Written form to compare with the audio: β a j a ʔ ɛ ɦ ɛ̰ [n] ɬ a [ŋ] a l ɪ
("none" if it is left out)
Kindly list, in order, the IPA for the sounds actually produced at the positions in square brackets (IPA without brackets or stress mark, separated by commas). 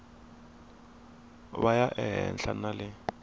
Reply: n, n